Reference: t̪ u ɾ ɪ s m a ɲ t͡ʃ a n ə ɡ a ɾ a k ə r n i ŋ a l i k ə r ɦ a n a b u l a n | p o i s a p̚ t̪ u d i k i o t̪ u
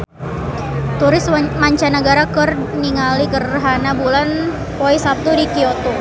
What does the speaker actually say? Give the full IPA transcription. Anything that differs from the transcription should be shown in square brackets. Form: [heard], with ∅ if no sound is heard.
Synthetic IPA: t̪ u ɾ ɪ s m a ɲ t͡ʃ a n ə ɡ a ɾ a k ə r n i ŋ a l i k ə r ɦ a n a b u l a n | p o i s a p̚ t̪ u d i k i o t̪ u

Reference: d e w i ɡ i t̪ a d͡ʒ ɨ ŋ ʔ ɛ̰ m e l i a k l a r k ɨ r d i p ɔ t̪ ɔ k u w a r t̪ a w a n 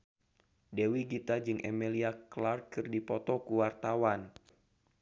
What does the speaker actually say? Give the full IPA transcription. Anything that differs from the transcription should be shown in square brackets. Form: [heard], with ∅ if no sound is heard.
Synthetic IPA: d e w i ɡ i t̪ a d͡ʒ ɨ ŋ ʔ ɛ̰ m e l i a k l a r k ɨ r d i p ɔ t̪ ɔ k u w a r t̪ a w a n

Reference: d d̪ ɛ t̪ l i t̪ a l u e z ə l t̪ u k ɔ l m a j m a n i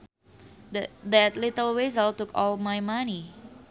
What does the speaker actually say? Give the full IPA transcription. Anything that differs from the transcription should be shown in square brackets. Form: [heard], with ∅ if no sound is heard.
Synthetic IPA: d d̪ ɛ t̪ l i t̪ [ə] l [w] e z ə l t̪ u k ɔ l m a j m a n i

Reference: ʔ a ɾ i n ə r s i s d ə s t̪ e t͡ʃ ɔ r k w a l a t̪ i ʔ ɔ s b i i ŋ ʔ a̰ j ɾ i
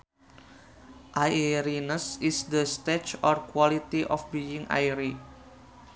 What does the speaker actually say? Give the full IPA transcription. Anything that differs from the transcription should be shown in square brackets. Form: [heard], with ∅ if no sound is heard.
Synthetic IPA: ʔ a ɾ i n ə [∅] s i s d ə s t̪ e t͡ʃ ɔ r k w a l [i] t̪ i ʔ ɔ [f] b i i ŋ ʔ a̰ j ɾ i

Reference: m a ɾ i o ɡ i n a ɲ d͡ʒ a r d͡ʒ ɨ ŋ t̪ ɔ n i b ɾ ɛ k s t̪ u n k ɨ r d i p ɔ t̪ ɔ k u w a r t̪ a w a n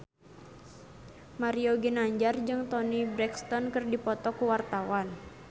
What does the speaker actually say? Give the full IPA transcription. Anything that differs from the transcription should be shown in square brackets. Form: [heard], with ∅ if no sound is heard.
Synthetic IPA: m a ɾ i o ɡ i n a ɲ d͡ʒ a r d͡ʒ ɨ ŋ t̪ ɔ n i b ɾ ɛ k s t̪ [ɔ] n k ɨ r d i p ɔ t̪ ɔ k u w a r t̪ a w a n

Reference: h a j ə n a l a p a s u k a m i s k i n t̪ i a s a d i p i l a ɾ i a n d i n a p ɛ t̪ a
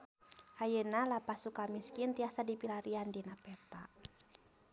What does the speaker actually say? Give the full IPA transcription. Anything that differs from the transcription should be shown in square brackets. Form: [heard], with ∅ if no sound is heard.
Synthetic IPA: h a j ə n a l a p a s u k a m i s k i n t̪ i a s a d i p i l a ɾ i a n d i n a p ɛ t̪ a

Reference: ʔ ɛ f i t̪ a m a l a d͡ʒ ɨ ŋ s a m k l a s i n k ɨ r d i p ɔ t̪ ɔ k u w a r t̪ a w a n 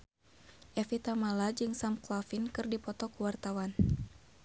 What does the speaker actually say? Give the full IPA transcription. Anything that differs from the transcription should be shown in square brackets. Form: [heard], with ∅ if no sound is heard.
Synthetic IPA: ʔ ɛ f i t̪ a m a l a d͡ʒ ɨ ŋ s a m k l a [f] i n k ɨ r d i p ɔ t̪ ɔ k u w a r t̪ a w a n

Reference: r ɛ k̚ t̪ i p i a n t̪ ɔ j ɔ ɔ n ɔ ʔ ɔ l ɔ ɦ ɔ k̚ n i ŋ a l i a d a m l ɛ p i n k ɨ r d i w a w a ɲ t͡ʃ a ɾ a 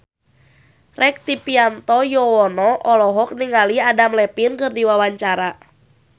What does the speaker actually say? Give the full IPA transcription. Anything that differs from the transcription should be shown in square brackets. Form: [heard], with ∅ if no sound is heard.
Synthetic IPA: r ɛ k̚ t̪ i p i a n t̪ ɔ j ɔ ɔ n ɔ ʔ ɔ l ɔ ɦ ɔ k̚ n i ŋ a l i a d a m l ɛ p i n k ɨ r d i w a w a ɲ t͡ʃ a ɾ a

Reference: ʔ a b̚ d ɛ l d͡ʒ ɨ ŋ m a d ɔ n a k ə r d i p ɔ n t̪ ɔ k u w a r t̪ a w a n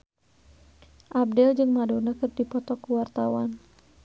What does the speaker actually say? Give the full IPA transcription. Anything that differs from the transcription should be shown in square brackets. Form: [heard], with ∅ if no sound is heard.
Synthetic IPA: ʔ a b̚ d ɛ l d͡ʒ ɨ ŋ m a d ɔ n a k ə r d i p ɔ [∅] t̪ ɔ k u w a r t̪ a w a n

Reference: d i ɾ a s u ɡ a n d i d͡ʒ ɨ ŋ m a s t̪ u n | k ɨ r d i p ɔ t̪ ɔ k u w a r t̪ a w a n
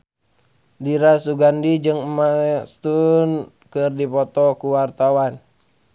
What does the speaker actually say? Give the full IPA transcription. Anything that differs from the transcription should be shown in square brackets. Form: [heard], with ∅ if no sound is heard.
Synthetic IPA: d i ɾ a s u ɡ a n d i d͡ʒ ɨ ŋ m a s t̪ u n | k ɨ r d i p ɔ t̪ ɔ k u w a r t̪ a w a n

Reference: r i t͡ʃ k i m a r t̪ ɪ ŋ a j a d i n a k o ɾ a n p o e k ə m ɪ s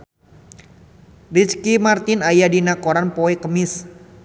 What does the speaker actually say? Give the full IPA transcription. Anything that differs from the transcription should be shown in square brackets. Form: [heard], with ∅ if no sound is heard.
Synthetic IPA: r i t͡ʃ k i m a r t̪ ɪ [n] a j a d i n a k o ɾ a n p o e k ə m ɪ s

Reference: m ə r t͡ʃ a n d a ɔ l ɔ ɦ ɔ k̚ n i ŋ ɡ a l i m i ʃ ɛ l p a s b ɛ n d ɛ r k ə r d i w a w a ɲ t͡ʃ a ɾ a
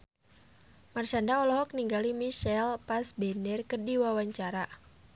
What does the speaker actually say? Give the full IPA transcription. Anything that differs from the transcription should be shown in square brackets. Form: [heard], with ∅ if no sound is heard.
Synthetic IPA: m [a] r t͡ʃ a n d a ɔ l ɔ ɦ ɔ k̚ n i ŋ ɡ a l i m i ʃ ɛ l p a s b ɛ n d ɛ r k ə r d i w a w a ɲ t͡ʃ a ɾ a

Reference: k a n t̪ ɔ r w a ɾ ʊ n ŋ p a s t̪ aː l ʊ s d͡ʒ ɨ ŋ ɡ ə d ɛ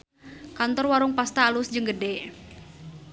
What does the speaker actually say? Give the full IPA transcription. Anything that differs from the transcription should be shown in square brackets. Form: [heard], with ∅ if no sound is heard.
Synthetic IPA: k a n t̪ ɔ r w a ɾ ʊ [∅] ŋ p a s t̪ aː l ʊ s d͡ʒ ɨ ŋ ɡ ə d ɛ

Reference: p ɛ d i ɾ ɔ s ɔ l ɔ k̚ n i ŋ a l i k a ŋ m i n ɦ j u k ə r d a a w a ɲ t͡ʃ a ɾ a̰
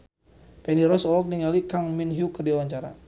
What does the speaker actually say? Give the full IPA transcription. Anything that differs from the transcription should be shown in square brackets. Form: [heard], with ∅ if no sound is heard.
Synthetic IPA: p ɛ [n] i ɾ ɔ s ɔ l ɔ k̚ n i ŋ a l i k a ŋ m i n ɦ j u k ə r d [i] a w a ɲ t͡ʃ a ɾ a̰

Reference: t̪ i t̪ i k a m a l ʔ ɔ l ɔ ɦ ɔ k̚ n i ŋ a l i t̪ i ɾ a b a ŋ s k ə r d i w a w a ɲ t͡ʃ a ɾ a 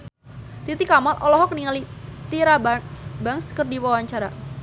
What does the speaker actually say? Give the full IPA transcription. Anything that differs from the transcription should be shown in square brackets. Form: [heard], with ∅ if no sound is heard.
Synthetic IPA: t̪ i t̪ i k a m a l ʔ ɔ l ɔ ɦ ɔ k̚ n i ŋ a l i t̪ i ɾ a b a ŋ s k ə r d i w a w a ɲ t͡ʃ a ɾ a

